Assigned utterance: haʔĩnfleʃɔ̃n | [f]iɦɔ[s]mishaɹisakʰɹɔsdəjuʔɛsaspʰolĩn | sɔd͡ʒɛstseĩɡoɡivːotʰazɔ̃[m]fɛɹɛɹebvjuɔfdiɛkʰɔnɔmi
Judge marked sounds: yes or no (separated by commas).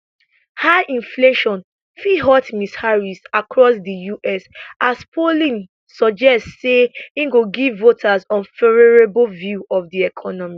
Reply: yes, no, no